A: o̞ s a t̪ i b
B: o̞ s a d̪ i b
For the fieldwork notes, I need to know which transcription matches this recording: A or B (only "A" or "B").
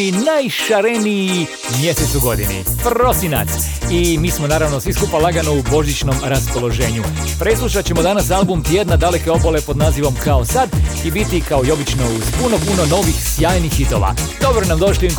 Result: B